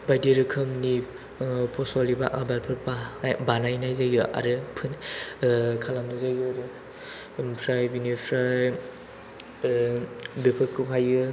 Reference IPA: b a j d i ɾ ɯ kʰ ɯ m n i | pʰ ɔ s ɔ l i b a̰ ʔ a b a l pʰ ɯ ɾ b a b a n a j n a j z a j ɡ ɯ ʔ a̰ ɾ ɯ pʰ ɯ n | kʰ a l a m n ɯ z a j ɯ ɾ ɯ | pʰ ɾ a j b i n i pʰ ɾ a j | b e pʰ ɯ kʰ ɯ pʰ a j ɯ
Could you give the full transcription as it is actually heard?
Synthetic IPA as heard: b a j d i ɾ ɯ kʰ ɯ m n i | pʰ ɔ s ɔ l i b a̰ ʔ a b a l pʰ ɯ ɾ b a b a n a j n a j z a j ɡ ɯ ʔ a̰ ɾ ɯ pʰ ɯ n | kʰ a l a m n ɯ z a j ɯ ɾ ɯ | pʰ ɾ a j b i n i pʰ ɾ a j | b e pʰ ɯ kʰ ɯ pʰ a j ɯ